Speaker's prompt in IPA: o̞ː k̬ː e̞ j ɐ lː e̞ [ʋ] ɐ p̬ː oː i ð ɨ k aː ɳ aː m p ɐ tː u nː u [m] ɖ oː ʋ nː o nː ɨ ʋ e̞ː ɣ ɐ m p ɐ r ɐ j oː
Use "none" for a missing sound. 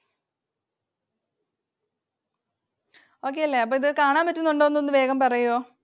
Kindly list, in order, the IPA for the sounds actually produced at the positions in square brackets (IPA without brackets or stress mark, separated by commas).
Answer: none, ɳ